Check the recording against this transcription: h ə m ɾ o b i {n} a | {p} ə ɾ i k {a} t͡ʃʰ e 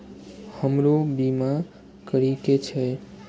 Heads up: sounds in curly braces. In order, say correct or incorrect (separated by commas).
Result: incorrect, incorrect, incorrect